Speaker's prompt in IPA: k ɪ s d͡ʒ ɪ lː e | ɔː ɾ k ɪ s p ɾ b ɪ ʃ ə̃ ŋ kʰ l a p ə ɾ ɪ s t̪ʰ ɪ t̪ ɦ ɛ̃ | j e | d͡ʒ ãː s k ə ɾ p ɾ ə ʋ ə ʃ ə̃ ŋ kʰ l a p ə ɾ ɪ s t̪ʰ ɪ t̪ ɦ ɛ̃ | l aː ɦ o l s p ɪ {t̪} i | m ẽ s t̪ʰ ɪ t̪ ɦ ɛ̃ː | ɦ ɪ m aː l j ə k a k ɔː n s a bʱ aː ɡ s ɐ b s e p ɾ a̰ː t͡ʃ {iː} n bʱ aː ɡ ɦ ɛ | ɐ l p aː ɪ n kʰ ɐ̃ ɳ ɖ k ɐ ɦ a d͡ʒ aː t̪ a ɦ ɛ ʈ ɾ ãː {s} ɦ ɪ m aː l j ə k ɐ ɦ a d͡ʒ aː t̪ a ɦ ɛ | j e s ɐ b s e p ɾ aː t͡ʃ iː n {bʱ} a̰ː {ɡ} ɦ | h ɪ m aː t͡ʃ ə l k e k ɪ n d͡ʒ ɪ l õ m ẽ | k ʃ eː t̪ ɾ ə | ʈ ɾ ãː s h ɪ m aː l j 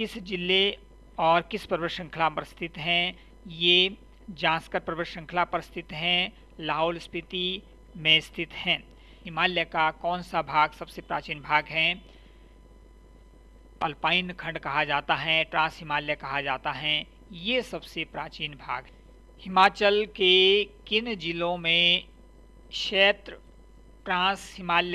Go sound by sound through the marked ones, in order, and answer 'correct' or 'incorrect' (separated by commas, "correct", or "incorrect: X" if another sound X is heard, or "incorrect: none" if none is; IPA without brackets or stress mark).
correct, correct, correct, correct, correct